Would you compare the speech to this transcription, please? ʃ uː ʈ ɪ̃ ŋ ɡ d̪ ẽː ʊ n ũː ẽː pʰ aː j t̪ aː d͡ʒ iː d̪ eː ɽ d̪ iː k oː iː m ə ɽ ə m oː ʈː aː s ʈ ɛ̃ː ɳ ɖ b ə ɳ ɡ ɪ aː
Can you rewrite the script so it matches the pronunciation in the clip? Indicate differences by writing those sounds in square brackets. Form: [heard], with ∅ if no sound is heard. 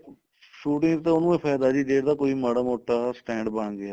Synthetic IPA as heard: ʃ uː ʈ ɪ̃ ŋ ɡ [t̪] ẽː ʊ n ũː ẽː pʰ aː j [d̪] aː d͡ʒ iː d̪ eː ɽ d̪ [aː] k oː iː m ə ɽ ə m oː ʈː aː s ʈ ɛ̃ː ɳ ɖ b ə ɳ ɡ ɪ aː